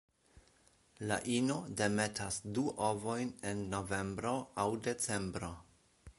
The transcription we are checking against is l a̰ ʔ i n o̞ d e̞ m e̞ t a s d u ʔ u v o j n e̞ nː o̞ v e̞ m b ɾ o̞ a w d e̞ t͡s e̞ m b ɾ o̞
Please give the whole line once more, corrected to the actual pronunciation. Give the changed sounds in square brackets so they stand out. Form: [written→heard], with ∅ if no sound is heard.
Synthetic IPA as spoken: l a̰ ʔ i n o̞ d e̞ m e̞ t a s d u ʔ [u→o] v o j n e̞ nː o̞ v e̞ m b ɾ o̞ a w d e̞ t͡s e̞ m b ɾ o̞